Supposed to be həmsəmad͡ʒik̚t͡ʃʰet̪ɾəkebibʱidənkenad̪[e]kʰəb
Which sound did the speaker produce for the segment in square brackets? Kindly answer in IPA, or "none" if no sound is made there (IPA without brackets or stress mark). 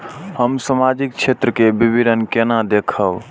e